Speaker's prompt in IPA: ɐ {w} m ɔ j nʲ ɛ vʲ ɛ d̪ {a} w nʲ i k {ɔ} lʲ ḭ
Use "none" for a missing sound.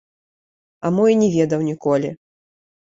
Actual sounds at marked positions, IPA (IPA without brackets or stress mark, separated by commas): none, ɐ, ɔ